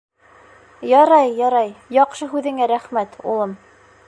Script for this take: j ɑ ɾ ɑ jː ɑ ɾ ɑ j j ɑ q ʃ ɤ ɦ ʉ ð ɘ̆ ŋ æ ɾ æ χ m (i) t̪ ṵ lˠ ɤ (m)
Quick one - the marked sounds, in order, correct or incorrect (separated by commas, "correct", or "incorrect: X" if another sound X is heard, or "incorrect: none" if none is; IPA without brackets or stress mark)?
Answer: incorrect: æ, correct